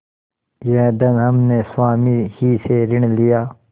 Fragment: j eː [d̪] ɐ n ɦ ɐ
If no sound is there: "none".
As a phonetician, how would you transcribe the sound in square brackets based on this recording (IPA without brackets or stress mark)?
d̪